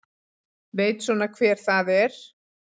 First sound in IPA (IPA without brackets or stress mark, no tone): v